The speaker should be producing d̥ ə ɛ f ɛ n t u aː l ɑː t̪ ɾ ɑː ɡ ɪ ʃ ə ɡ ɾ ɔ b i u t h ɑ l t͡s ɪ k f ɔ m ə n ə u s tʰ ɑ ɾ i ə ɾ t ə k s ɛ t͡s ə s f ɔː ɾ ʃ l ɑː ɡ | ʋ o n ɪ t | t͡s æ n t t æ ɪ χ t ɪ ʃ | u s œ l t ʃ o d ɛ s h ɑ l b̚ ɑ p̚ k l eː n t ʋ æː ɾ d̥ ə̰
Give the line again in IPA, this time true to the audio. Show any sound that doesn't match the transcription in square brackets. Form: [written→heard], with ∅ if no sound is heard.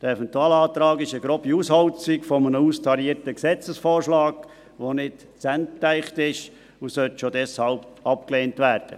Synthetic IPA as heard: d̥ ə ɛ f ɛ n t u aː l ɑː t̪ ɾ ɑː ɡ ɪ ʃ ə ɡ ɾ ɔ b i u [t→s] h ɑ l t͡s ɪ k f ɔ m ə n ə u s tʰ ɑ ɾ i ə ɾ t ə k s ɛ t͡s ə s f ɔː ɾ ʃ l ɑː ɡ | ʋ o n ɪ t | t͡s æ n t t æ ɪ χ t ɪ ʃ | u s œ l t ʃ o d ɛ s h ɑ l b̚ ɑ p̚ k l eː n t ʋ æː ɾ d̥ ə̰